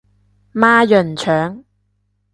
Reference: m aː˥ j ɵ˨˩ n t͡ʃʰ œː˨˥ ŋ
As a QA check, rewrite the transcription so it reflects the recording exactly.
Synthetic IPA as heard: m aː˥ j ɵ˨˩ n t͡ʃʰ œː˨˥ ŋ